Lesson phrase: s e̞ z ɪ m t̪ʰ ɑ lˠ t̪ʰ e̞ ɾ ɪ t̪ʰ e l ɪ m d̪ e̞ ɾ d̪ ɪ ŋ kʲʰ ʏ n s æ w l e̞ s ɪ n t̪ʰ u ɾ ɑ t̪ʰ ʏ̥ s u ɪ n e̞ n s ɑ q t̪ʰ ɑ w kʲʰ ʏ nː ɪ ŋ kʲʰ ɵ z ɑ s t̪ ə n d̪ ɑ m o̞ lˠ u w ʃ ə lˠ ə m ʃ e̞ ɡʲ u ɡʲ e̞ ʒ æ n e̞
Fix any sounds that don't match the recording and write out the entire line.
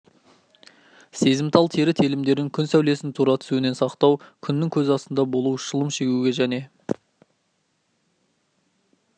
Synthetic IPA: s e̞ z ɪ m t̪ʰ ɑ lˠ t̪ʰ e̞ ɾ ɪ t̪ʰ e l ɪ m d̪ e̞ ɾ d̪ ɪ ŋ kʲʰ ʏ n s æ w l e̞ s ɪ n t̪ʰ u ɾ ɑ t̪ʰ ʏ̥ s u ɪ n e̞ n s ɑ q t̪ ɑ w kʲʰ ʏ nː ɪ ŋ kʲʰ ɵ z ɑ s t̪ ə n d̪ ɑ b o̞ lˠ u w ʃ ə lˠ ə m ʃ e̞ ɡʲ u ɡʲ e̞ ʒ æ n e̞